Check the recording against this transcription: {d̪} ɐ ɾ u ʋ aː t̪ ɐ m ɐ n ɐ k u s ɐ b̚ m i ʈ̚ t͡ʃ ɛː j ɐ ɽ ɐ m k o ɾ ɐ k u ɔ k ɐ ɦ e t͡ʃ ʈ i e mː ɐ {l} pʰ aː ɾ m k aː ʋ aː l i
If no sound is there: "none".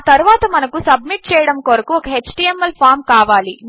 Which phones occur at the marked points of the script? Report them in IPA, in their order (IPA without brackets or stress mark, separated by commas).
t̪, l